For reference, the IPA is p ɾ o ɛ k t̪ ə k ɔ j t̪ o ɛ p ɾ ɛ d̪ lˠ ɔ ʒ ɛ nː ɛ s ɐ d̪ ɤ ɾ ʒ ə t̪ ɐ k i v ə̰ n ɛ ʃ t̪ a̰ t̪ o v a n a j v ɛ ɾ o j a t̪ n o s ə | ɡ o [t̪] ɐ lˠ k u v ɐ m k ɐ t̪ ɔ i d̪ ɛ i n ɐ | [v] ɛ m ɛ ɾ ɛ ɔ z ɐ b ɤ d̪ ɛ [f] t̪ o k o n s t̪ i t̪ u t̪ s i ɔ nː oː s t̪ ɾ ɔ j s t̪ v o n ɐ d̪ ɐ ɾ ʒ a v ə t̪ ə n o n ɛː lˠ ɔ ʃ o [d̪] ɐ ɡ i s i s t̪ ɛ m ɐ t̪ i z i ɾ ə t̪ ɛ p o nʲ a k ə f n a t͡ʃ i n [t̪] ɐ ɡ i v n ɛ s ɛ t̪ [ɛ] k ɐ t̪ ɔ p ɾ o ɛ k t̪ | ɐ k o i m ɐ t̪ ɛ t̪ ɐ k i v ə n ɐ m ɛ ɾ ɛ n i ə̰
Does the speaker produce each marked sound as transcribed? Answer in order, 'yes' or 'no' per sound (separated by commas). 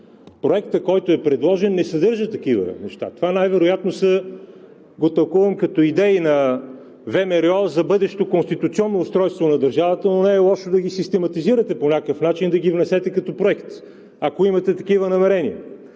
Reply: yes, yes, no, yes, no, yes